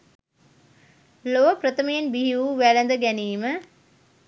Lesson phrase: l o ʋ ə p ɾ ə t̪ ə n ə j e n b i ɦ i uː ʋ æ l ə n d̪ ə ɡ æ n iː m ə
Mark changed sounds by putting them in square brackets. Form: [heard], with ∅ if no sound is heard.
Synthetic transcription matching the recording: l o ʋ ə p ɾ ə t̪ ə [m] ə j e n b i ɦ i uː ʋ æ l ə n d̪ ə ɡ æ n iː m ə